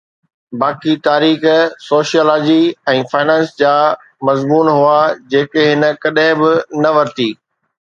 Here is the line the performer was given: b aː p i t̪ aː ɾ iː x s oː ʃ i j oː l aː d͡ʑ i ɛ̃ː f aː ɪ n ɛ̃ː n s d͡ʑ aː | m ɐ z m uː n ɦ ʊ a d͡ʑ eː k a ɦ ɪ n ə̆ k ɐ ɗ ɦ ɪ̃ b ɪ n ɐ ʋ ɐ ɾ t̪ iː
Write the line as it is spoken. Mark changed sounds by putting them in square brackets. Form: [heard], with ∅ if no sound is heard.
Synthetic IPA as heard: b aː [k] i t̪ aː ɾ iː x s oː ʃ i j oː l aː d͡ʑ i ɛ̃ː f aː ɪ n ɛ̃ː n s d͡ʑ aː | m ɐ z m uː n ɦ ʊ a d͡ʑ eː k [e] ɦ ɪ n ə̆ k ɐ ɗ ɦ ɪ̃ b ɪ n ɐ ʋ ɐ ɾ t̪ iː